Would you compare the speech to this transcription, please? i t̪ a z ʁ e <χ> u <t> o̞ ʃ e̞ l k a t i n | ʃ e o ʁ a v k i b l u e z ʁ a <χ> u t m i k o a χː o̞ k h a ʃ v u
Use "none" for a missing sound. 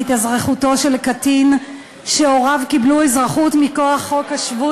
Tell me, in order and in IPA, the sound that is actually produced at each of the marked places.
χ, t, χ

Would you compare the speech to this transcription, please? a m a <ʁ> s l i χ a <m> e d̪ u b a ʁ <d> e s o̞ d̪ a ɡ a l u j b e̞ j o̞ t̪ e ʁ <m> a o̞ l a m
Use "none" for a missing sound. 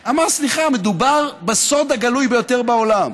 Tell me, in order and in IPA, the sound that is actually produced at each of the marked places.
ʁ, m, b, b

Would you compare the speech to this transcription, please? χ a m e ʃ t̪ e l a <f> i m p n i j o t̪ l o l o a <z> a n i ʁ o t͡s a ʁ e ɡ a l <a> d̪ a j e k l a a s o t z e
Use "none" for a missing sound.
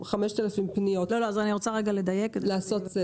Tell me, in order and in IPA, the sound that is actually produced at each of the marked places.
f, z, e

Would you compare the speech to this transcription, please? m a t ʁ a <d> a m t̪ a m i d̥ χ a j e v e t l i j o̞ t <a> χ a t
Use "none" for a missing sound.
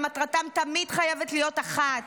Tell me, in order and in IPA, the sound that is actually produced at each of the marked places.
t, a

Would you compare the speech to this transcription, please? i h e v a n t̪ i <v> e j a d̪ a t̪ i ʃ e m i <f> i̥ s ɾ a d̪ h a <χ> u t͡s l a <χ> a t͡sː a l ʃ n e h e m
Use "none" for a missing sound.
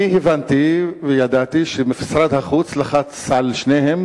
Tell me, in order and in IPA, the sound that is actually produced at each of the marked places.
v, f, χ, χ

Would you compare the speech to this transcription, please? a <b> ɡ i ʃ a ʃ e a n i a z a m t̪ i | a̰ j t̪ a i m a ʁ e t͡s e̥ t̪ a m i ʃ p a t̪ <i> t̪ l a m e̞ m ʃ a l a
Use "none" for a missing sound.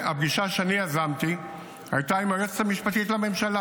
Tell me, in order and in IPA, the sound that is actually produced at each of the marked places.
b, i

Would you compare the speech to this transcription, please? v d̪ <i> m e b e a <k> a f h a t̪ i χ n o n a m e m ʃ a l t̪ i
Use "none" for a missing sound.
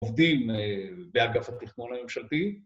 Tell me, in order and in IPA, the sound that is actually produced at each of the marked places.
i, ɡ

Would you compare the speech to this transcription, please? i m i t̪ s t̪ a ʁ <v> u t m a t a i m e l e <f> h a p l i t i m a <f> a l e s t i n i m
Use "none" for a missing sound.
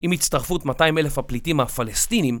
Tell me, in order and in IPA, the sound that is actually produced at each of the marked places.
f, f, f

